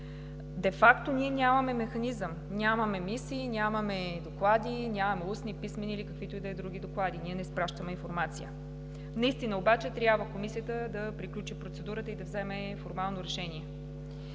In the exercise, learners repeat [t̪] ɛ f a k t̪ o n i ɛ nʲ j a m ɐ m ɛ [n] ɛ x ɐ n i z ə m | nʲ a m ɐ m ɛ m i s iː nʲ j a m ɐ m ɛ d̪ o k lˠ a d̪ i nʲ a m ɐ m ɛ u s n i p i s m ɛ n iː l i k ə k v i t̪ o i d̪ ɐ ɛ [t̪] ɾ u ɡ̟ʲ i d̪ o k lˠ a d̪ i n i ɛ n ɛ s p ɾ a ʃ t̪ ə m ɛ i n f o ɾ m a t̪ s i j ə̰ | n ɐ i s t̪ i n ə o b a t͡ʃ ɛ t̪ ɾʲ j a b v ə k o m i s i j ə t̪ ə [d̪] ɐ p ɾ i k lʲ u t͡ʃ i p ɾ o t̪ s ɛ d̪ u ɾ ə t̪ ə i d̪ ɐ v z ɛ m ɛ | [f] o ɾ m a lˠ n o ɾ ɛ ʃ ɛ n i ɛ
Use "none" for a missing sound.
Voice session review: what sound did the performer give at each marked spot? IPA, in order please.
d̪, m, d̪, d̪, f

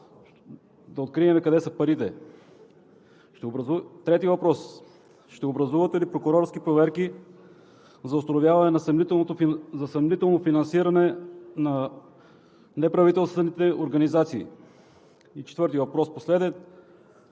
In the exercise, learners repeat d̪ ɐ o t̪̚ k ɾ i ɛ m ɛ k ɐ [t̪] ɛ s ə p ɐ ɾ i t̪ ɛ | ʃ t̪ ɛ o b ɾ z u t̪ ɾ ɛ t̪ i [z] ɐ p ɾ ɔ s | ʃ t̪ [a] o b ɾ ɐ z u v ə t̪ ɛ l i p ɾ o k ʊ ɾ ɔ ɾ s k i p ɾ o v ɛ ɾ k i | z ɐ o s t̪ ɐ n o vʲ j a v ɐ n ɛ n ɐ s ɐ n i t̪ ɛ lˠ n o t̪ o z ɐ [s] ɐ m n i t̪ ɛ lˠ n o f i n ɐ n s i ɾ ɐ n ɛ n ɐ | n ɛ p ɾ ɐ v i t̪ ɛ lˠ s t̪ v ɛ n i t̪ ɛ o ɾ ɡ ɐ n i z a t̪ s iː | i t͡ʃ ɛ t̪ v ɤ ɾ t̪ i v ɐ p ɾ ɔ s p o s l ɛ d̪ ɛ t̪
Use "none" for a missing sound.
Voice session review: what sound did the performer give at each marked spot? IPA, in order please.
d̪, v, ɛ, s

